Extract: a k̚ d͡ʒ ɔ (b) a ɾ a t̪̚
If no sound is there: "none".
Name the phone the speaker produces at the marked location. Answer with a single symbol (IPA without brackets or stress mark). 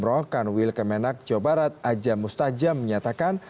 b